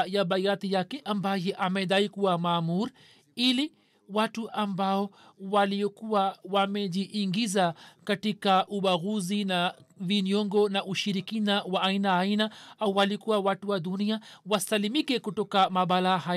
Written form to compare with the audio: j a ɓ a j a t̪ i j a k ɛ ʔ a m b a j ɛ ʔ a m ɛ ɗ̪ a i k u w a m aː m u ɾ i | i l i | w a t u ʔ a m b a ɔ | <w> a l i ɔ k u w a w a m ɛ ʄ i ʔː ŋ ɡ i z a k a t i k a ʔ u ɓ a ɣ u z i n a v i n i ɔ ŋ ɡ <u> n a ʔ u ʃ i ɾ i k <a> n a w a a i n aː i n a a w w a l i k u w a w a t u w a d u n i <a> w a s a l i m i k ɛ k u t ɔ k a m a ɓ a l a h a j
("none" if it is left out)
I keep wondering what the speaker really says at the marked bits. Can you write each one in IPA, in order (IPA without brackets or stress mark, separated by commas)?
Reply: w, ɔ, i, a